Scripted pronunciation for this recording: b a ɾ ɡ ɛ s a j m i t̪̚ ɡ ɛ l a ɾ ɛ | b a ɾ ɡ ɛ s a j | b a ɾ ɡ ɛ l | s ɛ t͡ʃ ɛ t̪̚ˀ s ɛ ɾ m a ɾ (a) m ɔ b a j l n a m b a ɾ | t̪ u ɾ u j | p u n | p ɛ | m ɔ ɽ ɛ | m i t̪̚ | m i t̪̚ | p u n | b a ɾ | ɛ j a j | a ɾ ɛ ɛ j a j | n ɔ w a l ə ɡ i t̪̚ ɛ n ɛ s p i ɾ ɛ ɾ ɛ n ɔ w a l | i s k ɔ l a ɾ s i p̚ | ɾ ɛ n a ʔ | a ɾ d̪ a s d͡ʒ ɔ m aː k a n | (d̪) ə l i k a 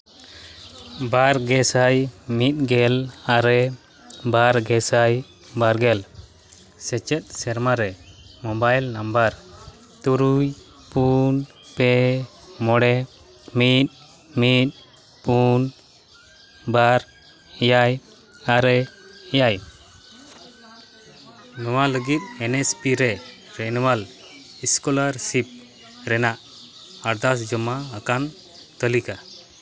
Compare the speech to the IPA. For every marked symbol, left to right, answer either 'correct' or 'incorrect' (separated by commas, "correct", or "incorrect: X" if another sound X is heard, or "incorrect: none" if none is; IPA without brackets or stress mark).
incorrect: ɛ, incorrect: t̪